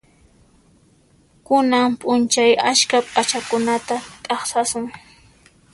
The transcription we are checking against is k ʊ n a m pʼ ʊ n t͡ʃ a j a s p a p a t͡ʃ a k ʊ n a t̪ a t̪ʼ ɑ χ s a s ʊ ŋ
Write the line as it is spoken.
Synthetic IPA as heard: k ʊ n a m pʼ ʊ n t͡ʃ a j a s k a pʼ a t͡ʃ a k ʊ n a t̪ a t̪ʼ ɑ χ s a s ʊ ŋ